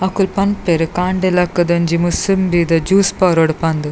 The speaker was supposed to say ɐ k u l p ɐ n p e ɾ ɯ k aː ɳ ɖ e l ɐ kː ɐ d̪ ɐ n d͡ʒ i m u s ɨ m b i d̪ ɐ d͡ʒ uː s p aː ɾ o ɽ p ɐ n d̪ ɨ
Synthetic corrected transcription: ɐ k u l p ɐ n p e ɾ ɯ k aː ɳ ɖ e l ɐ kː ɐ d̪ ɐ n d͡ʒ i m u s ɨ m b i d̪ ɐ d͡ʒ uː s p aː ɾ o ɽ p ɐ n d̪ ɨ